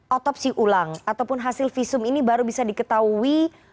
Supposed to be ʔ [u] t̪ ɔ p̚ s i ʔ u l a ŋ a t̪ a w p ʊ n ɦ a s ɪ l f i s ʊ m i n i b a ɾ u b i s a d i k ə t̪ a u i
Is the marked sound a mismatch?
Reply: yes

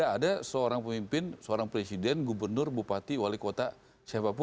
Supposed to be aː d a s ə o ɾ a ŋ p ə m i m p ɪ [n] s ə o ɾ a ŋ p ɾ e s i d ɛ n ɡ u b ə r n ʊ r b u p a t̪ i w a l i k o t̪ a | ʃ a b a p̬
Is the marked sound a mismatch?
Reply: no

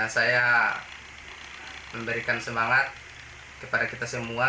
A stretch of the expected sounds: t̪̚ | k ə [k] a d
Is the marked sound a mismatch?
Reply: yes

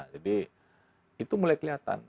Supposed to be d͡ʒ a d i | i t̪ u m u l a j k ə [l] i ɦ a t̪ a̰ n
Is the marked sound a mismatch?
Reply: no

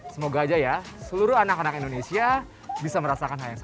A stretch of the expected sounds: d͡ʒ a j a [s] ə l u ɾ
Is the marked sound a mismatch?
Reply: no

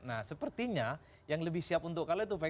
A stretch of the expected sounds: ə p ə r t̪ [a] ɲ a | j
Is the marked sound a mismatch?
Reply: yes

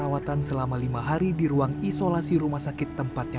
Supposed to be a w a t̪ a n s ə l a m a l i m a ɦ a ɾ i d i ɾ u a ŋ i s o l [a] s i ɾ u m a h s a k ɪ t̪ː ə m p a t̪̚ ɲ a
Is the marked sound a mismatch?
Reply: no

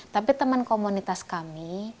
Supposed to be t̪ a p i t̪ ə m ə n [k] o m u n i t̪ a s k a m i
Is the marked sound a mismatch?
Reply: no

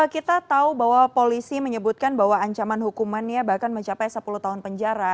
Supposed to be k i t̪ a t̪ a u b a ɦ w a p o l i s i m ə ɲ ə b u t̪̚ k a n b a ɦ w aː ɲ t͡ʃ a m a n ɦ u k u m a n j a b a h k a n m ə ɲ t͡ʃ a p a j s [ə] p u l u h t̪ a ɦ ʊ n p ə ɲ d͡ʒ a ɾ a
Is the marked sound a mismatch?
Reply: no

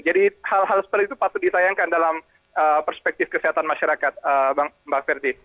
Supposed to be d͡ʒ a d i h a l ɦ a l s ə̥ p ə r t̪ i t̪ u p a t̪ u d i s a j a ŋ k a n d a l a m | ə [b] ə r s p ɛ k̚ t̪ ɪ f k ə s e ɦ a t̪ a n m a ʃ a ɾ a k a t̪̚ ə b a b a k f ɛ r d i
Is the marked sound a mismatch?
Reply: yes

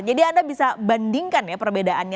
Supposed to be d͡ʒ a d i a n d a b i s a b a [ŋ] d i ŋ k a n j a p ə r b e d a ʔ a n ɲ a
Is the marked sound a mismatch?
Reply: yes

